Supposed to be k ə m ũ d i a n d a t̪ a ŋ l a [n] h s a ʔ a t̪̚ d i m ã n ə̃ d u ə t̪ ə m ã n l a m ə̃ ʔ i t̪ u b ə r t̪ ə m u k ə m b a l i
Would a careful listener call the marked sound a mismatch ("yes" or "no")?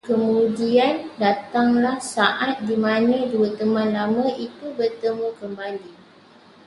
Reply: yes